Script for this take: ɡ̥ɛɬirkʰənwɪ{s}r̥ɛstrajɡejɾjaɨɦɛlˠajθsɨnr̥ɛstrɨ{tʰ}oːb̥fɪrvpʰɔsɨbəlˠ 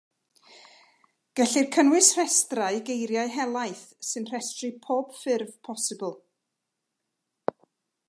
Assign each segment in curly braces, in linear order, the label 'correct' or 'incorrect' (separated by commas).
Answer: correct, incorrect